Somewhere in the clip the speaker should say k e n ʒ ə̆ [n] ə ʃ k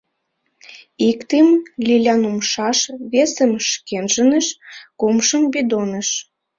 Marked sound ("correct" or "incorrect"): correct